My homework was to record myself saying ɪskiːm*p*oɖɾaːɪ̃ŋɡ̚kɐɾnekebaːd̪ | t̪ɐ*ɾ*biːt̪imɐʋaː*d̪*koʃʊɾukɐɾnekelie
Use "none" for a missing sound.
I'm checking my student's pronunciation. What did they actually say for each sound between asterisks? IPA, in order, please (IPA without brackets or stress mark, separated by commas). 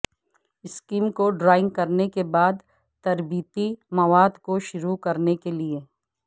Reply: k, ɾ, d̪